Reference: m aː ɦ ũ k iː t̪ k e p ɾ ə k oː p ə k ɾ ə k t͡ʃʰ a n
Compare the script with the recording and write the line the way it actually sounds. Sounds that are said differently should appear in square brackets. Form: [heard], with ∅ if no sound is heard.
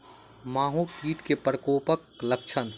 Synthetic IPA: m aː ɦ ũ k iː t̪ k e p ɾ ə k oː p ə k [l] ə k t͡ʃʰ [ə] n